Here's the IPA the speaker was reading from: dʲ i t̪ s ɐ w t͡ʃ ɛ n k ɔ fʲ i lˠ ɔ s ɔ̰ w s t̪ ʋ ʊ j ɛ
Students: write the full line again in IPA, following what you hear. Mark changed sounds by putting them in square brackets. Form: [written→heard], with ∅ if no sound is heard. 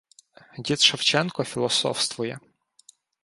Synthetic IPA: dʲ i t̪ [s→ʃ] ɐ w t͡ʃ ɛ n k ɔ fʲ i lˠ ɔ s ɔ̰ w s t̪ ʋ ʊ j ɛ